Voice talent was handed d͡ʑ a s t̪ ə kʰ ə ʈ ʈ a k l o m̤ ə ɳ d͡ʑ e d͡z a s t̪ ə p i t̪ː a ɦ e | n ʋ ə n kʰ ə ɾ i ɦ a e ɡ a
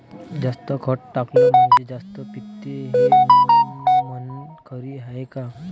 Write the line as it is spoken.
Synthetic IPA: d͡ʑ a s t̪ ə kʰ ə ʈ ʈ a k l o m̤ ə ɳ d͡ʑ e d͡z a s t̪ ə p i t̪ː e ɦ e | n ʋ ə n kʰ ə ɾ i ɦ a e k a